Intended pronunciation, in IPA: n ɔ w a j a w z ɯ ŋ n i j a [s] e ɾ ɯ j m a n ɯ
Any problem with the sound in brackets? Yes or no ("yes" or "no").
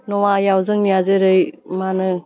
yes